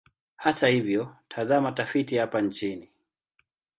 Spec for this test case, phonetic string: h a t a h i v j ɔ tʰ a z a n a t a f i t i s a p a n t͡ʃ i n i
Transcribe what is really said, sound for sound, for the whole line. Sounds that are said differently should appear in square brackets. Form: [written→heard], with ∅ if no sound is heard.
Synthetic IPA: h a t a h i v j ɔ tʰ a z a [n→m] a t a f i t i [s→h] a p a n t͡ʃ i n i